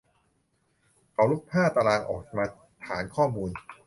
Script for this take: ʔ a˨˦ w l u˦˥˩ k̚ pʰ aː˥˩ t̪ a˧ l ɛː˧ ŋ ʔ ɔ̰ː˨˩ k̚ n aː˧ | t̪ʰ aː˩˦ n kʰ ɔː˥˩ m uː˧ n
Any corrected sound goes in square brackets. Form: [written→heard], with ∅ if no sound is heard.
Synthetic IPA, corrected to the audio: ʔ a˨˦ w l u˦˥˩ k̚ pʰ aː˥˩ t̪ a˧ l [ɛː˧→aː˧] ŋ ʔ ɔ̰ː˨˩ k̚ [n→m] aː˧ | t̪ʰ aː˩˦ n kʰ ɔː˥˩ m uː˧ n